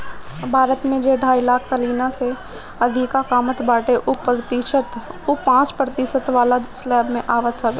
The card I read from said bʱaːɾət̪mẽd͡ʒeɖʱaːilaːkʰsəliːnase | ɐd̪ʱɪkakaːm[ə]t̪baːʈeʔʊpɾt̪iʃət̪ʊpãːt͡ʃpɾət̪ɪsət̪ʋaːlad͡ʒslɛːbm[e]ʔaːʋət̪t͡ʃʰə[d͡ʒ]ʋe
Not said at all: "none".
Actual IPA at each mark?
ə, ẽ, none

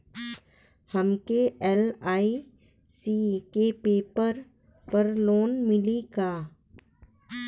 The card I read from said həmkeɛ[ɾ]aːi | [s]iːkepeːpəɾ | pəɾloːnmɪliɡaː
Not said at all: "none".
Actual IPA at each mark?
l, s

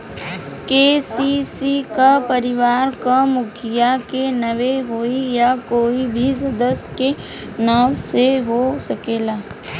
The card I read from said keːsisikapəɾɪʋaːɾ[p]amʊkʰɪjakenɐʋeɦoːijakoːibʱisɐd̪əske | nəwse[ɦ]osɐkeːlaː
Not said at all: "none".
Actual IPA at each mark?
k, ɦ

